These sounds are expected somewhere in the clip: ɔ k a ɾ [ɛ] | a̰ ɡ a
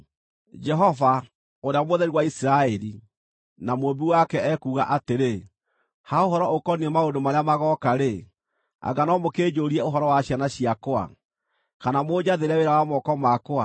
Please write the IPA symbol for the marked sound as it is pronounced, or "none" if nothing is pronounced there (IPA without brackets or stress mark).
e